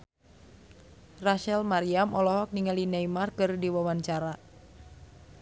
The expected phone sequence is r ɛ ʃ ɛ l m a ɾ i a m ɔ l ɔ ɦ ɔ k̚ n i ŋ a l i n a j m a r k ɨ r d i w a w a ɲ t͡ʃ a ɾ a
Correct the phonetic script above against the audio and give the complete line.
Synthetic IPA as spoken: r a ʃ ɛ l m a ɾ i a m ɔ l ɔ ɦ ɔ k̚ n i ŋ a l i n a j m a r k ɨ r d i w a w a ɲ t͡ʃ a ɾ a